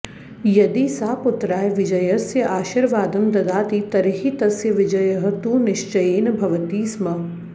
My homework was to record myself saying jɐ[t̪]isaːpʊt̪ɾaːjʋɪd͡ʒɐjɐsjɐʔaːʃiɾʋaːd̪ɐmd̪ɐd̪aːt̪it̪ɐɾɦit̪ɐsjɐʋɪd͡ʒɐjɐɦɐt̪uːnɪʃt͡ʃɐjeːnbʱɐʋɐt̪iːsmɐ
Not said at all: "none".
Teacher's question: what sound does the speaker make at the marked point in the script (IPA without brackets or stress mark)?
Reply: d̪